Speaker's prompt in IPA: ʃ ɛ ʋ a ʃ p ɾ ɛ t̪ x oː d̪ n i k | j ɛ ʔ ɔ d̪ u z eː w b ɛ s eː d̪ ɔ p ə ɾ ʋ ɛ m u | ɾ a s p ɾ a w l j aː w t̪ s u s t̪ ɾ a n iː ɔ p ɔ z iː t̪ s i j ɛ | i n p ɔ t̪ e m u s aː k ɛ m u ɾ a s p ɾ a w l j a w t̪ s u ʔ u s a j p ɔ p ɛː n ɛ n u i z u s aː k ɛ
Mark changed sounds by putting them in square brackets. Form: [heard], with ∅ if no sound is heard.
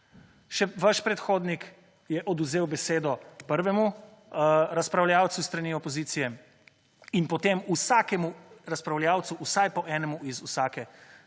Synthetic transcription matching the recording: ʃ ɛ ʋ a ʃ p ɾ ɛ t̪ x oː d̪ n i k | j ɛ ʔ ɔ d̪ u z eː w b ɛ s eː d̪ ɔ p ə ɾ ʋ ɛ m u | ɾ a s p ɾ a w l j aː w t̪ s u s t̪ ɾ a n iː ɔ p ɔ z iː t̪ s i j ɛ | i n p ɔ t̪ e m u s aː k ɛ m u ɾ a s p ɾ a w l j a w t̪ s u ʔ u s a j p ɔ [ʔ] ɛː n ɛ [m] u i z u s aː k ɛ